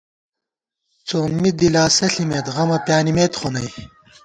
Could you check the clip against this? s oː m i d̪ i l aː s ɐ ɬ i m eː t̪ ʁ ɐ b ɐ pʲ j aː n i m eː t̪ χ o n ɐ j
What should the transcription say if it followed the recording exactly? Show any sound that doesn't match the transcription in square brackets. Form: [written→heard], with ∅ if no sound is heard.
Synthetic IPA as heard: [s→t͡s] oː m i d̪ i l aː s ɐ ɬ i m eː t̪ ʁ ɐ [b→m] ɐ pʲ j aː n i m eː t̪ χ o n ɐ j